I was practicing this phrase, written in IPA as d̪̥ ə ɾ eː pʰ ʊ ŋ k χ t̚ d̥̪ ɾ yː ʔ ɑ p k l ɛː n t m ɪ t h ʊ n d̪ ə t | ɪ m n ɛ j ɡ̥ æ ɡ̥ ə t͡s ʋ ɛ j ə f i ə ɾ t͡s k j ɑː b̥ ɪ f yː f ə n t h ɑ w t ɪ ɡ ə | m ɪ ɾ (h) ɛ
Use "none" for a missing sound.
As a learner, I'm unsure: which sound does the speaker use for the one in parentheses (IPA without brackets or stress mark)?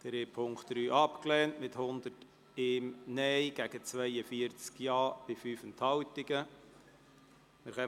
χ